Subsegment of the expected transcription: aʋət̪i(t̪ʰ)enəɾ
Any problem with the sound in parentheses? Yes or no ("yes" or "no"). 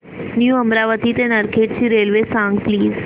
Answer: yes